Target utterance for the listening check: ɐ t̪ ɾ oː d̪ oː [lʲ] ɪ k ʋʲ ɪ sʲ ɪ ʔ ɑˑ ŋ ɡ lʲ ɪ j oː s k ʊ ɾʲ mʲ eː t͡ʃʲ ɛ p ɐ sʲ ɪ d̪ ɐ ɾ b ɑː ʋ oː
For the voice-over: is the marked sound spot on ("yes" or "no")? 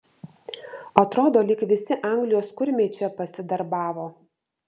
yes